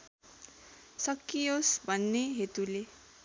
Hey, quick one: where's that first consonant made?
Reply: tongue tip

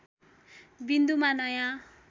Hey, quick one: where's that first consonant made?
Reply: lips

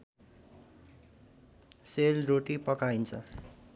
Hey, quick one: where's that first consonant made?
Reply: tongue tip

